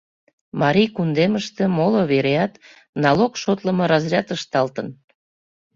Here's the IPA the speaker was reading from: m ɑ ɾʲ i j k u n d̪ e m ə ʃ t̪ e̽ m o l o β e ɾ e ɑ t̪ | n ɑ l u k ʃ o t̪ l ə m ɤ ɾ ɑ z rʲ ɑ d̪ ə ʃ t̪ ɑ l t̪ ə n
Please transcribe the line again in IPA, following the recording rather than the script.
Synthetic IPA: m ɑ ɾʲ i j k u n d̪ e m ə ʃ t̪ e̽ m o l o β e ɾ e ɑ t̪ | n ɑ l o k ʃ o t̪ l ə m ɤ ɾ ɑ z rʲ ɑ t̪ ə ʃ t̪ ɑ l t̪ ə n